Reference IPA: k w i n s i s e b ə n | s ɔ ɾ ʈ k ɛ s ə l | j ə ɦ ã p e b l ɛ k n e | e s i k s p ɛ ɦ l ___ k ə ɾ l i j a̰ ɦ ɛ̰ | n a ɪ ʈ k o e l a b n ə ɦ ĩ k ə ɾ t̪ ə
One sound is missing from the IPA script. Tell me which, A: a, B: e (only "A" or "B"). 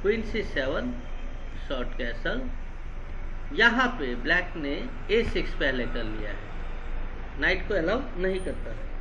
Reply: B